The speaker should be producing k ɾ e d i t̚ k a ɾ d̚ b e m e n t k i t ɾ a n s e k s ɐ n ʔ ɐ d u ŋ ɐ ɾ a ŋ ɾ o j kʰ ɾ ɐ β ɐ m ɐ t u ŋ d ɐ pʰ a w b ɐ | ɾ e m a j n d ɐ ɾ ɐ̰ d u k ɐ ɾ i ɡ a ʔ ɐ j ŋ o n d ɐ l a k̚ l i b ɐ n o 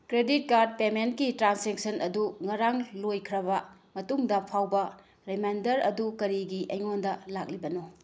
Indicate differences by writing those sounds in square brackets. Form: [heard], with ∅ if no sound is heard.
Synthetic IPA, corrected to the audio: k ɾ e d i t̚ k a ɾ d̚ [p] e m e n t k i t ɾ a n s e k s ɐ n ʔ ɐ d u ŋ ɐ ɾ a ŋ [l] o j kʰ ɾ ɐ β ɐ m ɐ t u ŋ d ɐ pʰ a w b ɐ | ɾ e m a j n d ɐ ɾ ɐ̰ d u k ɐ ɾ i ɡ [i] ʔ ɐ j ŋ o n d ɐ l a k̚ l i b ɐ n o

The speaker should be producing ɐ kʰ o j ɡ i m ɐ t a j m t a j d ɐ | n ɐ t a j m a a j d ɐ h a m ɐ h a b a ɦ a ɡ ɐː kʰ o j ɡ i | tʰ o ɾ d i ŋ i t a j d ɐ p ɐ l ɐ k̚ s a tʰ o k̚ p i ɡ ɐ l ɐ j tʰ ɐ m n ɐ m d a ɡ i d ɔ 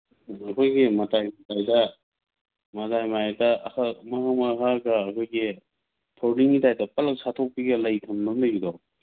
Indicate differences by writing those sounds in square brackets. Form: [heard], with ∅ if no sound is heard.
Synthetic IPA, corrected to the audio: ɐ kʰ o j ɡ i m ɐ t a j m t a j d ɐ | [m] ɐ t a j m a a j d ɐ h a m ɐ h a [m] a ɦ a ɡ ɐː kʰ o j ɡ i | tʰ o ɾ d i ŋ i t a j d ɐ p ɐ l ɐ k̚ s a tʰ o k̚ p i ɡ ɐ l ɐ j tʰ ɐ m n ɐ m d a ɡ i d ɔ

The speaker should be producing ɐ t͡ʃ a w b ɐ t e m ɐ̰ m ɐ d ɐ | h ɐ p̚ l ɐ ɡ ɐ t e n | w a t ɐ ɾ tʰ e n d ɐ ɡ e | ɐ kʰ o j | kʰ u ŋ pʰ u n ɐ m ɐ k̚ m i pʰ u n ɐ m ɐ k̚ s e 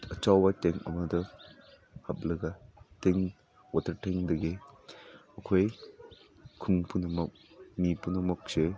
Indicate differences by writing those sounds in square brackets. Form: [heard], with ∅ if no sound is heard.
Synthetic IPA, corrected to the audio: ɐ t͡ʃ a w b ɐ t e [ŋ] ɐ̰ m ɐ d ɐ | h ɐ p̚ l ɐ ɡ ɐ t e [ŋ] | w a t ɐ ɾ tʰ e [ŋ] d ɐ ɡ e | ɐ kʰ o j | kʰ u ŋ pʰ u n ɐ m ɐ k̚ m i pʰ u n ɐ m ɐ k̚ s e

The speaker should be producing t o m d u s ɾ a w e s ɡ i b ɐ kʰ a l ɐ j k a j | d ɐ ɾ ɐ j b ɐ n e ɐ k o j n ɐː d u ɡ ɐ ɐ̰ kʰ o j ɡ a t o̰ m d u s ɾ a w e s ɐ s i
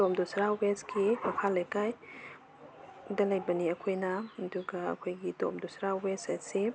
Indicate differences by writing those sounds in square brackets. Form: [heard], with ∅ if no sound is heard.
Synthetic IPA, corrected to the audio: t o m d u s ɾ a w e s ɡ i [m] ɐ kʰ a l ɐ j k a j | d ɐ [l] ɐ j b ɐ n [i] ɐ [kʰ] o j n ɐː d u ɡ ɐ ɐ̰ kʰ o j ɡ [i] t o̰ m d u s ɾ a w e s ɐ s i

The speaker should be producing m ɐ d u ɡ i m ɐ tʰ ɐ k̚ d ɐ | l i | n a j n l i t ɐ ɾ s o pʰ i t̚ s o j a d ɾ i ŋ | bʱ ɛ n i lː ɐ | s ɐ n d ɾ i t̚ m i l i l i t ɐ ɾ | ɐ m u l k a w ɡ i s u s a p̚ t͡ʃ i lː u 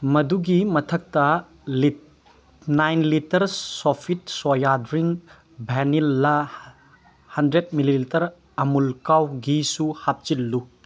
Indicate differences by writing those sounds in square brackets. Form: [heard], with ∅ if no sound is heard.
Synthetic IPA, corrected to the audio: m ɐ d u ɡ i m ɐ tʰ ɐ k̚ [t] ɐ | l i | n a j n l i t ɐ ɾ s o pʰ i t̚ s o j a d ɾ i ŋ | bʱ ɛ n i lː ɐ | [h] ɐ n d ɾ [e] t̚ m i l i l i t ɐ ɾ | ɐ m u l k a w ɡ i s u [h] a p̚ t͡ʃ i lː u

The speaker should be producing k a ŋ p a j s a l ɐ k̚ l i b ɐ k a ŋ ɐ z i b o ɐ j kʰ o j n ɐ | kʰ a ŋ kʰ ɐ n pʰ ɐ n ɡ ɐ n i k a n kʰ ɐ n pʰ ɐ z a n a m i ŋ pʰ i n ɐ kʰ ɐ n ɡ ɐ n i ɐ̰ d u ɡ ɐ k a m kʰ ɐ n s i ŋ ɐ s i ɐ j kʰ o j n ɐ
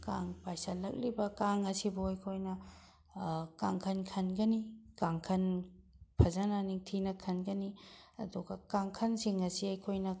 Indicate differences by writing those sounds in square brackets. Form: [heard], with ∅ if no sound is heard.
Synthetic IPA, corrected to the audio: k a ŋ p a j s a l ɐ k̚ l i b ɐ k a ŋ ɐ [s] i b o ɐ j kʰ o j n ɐ | [k] a ŋ kʰ ɐ n [kʰ] ɐ n ɡ ɐ n i k a [ŋ] kʰ ɐ n pʰ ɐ z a n a [n] i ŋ [tʰ] i n ɐ kʰ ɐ n ɡ ɐ n i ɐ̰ d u ɡ ɐ k a [ŋ] kʰ ɐ n s i ŋ ɐ s i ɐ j kʰ o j n ɐ

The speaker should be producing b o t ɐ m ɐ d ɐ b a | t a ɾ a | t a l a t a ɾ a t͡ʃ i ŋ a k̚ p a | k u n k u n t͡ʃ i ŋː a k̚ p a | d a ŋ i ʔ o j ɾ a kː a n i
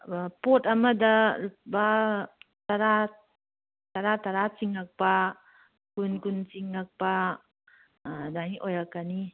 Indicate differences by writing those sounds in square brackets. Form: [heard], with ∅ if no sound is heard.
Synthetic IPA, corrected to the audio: [p] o t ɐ m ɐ d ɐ b a | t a ɾ a | t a [ɾ] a t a ɾ a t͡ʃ i ŋ a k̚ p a | k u n k u n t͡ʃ i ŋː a k̚ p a | d a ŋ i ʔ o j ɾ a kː a n i

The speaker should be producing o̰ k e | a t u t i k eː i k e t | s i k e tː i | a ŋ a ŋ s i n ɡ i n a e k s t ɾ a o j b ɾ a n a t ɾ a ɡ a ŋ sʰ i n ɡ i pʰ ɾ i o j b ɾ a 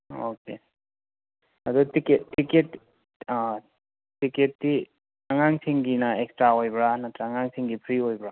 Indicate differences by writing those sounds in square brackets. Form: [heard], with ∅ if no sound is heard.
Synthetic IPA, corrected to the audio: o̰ k e | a [d] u t i k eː i k e t | [t] i k e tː i | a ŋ a ŋ s i [ŋ] ɡ i n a e k s t ɾ a o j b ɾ a n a t ɾ a [ŋ] a ŋ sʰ i [ŋ] ɡ i pʰ ɾ i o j b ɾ a

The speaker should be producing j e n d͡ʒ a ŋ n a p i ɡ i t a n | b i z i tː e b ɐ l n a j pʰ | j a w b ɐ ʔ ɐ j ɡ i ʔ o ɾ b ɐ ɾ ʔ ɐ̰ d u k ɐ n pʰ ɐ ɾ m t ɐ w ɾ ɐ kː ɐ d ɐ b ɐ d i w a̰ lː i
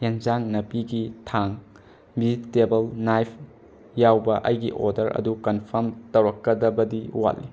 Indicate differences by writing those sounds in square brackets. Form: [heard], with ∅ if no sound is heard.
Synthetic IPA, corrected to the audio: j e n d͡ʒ a ŋ n [ɐ] p i ɡ i [tʰ] a [ŋ] | b i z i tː e b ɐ l n a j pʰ | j a w b ɐ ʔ ɐ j ɡ i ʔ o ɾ [d] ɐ ɾ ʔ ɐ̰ d u k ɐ n pʰ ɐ ɾ m t ɐ w ɾ ɐ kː ɐ d ɐ b ɐ d i w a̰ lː i

